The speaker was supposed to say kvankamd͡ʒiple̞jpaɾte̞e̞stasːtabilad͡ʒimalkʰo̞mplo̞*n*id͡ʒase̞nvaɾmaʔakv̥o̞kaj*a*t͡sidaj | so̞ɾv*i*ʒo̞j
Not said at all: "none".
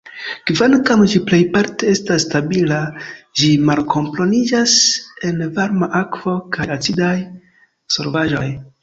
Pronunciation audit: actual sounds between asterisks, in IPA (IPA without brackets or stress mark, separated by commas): n, a, a